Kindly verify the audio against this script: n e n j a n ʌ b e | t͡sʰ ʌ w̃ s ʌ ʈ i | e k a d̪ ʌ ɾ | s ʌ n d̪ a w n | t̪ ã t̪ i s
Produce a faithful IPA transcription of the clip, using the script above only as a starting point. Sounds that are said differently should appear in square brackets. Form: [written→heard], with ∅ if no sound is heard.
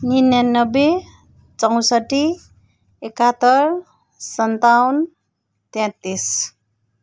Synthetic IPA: n [e→i] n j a n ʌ b e | [t͡sʰ→t͡s] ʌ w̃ s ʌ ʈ i | e k a [d̪→t̪] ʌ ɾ | s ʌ n [d̪→t̪] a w n | t̪ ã t̪ i s